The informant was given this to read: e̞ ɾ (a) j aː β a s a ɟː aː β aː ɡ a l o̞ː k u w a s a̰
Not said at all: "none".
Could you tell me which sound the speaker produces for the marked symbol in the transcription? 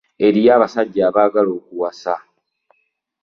i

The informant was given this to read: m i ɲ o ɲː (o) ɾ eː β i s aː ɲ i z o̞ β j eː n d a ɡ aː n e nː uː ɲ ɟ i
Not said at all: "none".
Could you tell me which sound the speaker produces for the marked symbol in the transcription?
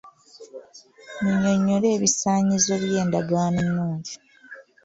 o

